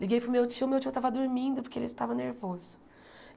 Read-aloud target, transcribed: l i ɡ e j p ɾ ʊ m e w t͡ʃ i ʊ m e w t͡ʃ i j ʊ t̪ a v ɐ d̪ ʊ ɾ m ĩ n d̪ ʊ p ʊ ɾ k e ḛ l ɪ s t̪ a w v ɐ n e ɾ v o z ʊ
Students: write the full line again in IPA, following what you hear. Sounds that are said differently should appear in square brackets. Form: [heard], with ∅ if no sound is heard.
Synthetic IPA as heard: l i ɡ e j p ɾ ʊ m e w t͡ʃ i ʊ m e w t͡ʃ i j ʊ t̪ a v ɐ d̪ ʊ ɾ m ĩ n d̪ ʊ p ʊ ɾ k e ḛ l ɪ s t̪ a [∅] v ɐ n e ɾ v o z ʊ